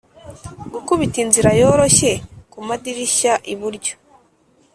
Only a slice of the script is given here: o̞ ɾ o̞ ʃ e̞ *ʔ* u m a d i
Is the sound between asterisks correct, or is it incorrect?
incorrect